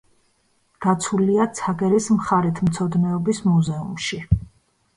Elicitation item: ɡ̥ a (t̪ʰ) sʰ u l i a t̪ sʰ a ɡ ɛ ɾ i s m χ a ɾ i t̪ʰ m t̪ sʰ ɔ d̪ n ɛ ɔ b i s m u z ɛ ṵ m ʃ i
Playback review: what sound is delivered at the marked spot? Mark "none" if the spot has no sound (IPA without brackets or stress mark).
t̪